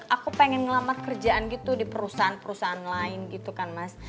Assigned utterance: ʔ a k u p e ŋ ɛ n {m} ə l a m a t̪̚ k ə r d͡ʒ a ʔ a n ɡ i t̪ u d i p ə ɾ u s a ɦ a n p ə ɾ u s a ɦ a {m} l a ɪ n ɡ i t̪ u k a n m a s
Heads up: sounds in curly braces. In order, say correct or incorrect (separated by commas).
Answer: incorrect, incorrect